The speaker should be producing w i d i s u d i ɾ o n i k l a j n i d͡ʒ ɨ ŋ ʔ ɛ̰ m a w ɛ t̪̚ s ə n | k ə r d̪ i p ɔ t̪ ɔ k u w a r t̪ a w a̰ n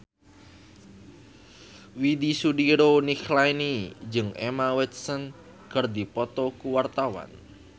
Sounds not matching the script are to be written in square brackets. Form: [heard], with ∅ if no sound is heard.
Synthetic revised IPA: w i d i s u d i ɾ o n i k l a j n i d͡ʒ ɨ ŋ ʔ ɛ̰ m a w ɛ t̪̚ s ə n | k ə r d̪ i p ɔ t̪ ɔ k u w a r t̪ a w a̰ n